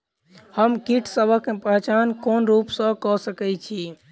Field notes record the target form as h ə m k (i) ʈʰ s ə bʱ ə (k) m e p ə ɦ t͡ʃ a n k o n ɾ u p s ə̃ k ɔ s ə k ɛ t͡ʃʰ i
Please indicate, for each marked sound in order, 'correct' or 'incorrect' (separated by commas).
correct, correct